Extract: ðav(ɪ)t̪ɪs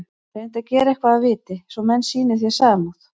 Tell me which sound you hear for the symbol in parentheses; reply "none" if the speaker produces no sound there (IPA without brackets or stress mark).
ɪː